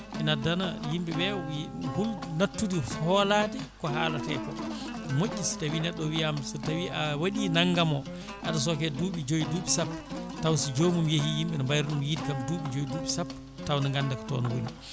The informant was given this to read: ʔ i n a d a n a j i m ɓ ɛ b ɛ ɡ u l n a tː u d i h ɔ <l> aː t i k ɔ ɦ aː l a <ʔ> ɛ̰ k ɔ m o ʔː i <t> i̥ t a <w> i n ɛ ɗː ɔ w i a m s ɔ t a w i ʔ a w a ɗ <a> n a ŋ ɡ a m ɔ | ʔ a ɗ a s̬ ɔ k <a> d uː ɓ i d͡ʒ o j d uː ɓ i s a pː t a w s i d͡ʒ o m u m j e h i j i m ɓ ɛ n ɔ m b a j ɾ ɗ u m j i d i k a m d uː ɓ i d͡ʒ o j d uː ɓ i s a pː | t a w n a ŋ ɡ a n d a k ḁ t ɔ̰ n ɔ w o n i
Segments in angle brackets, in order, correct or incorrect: correct, incorrect: t, incorrect: s, correct, incorrect: i, incorrect: ɛ

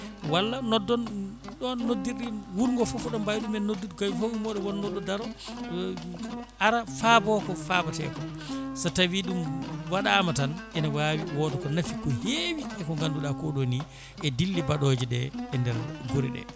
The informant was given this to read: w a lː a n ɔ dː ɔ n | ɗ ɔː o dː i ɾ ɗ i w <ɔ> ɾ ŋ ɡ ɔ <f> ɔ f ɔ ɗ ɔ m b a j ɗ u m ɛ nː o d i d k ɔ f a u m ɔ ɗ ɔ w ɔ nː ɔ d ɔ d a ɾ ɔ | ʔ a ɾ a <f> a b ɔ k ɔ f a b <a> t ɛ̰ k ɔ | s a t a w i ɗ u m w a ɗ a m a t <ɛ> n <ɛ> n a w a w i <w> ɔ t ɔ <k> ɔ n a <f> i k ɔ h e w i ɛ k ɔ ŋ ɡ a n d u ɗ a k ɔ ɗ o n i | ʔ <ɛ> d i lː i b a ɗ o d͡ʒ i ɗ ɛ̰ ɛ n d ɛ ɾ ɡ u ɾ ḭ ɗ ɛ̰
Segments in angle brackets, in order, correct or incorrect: incorrect: u, correct, correct, correct, incorrect: a, correct, correct, correct, correct, correct

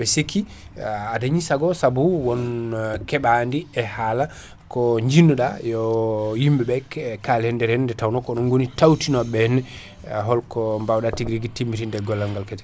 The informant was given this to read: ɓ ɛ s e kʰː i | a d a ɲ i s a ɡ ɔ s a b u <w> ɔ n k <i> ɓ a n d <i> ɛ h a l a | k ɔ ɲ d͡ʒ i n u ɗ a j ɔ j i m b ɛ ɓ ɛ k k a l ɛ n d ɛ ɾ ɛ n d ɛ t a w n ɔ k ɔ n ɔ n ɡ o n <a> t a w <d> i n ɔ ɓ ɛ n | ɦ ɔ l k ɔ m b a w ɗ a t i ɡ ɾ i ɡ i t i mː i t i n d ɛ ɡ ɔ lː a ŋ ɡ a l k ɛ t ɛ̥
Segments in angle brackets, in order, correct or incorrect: correct, incorrect: ɛ, correct, incorrect: i, incorrect: t

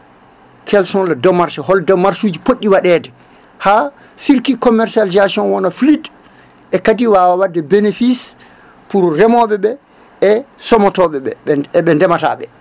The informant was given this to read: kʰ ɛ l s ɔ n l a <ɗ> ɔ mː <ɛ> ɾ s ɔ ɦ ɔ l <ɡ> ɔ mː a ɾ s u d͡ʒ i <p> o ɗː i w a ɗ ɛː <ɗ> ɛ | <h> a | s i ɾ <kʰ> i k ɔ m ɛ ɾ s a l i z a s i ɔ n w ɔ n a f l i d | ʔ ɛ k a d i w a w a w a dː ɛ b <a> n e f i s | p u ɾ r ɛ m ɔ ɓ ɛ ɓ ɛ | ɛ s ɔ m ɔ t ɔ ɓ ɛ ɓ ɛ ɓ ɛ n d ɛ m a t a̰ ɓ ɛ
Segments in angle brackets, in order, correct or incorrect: incorrect: d, incorrect: a, incorrect: d, correct, incorrect: d, correct, incorrect: k, incorrect: e

